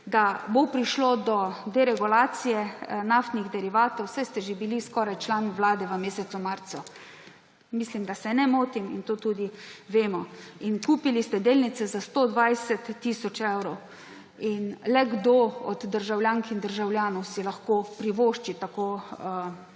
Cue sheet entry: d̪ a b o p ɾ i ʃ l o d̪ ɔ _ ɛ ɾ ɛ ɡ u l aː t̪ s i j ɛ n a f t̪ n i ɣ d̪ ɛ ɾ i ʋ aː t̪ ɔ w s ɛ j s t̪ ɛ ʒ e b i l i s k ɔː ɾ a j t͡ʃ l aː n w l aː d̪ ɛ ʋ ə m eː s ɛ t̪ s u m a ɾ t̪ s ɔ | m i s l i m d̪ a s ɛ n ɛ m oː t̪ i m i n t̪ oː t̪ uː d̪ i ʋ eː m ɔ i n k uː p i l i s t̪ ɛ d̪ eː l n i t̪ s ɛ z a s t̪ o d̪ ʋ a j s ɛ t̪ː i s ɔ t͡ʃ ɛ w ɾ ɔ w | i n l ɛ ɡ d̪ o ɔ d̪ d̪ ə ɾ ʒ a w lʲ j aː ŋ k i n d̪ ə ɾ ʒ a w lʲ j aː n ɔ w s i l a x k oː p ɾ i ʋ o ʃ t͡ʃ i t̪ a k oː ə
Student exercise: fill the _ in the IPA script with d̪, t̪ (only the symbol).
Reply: d̪